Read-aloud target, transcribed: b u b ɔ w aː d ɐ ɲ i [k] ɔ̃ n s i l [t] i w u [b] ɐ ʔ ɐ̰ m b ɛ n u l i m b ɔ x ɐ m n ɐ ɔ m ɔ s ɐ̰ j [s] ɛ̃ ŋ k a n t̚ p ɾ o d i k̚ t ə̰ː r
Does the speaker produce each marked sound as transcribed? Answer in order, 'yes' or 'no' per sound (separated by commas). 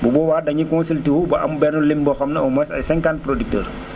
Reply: yes, yes, yes, yes